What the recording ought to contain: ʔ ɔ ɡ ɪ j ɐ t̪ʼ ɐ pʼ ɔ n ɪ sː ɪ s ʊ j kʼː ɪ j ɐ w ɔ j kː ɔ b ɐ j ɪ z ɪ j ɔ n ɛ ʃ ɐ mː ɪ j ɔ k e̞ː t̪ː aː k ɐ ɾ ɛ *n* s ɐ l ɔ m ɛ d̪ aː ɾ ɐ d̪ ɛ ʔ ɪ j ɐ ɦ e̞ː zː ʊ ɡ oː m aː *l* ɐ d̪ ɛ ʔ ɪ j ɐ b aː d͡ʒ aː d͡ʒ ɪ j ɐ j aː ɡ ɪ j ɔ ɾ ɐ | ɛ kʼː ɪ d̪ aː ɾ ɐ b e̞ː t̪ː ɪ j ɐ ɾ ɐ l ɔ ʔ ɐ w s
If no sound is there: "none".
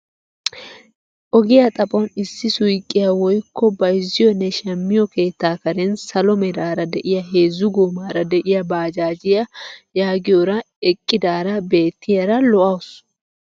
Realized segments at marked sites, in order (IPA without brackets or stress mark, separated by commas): n, ɾ